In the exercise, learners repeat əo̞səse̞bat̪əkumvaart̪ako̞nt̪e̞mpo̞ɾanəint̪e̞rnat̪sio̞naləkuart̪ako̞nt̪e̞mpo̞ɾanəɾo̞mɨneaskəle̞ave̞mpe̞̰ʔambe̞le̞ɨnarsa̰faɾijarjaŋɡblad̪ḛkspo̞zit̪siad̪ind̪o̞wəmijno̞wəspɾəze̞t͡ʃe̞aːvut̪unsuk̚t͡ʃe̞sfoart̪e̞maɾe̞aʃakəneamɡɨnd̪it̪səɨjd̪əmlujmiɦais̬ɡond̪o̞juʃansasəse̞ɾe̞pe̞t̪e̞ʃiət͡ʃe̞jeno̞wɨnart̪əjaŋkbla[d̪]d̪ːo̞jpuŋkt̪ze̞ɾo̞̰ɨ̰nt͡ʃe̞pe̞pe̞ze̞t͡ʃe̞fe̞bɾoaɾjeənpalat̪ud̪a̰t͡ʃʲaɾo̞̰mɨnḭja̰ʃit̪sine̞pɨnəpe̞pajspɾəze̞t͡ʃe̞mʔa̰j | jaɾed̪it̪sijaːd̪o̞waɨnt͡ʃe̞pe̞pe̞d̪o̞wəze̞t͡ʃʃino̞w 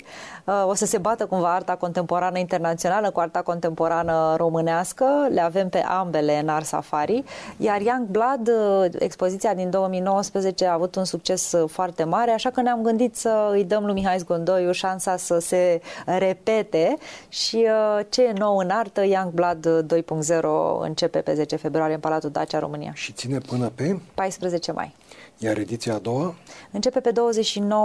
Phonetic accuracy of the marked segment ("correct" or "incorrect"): correct